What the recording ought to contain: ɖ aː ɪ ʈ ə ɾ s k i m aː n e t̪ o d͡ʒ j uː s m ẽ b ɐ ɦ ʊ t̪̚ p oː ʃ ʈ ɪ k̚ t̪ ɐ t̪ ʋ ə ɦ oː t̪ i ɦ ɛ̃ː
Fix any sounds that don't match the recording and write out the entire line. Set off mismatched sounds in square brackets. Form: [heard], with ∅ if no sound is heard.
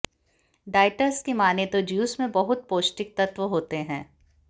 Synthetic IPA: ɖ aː ɪ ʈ ə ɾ s k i m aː n e t̪ o d͡ʒ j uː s m ẽ b ɐ ɦ ʊ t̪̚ p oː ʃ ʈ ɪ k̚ t̪ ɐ t̪ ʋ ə ɦ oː t̪ [e] ɦ ɛ̃ː